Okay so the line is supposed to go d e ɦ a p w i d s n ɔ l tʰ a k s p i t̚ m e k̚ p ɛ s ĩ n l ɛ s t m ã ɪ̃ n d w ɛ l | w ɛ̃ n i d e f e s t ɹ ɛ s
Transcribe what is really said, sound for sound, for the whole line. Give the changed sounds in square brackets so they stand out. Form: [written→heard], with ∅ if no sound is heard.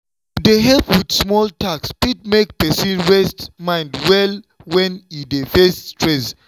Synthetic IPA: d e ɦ [a→ɛ] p w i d s [n→m] ɔ l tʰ a k s p i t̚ m e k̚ p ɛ s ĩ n [l→ɹ] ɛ s t m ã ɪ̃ n d w ɛ l | w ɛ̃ n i d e f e s t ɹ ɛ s